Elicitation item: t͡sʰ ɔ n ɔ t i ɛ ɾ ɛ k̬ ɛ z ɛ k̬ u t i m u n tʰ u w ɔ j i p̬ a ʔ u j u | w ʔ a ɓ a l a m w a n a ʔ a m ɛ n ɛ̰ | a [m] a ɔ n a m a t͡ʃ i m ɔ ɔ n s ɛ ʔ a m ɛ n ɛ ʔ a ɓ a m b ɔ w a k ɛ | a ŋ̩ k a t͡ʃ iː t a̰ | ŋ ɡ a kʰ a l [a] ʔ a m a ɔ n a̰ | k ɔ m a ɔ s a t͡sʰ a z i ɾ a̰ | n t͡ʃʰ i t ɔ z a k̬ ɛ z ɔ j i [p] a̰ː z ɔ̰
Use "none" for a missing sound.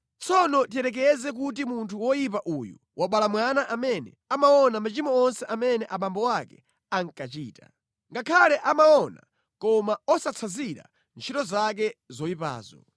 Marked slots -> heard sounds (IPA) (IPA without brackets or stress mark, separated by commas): m, ɛ, p